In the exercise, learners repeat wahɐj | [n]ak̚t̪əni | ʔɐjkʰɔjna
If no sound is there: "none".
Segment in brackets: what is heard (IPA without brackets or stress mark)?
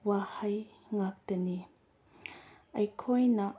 ŋ